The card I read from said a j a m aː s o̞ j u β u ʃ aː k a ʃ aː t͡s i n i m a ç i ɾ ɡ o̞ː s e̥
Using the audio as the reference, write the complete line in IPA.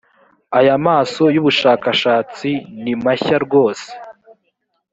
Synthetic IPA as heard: a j a m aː s o̞ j u β u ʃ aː k a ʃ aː t͡s i n i m a ç a ɾ ɡ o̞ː s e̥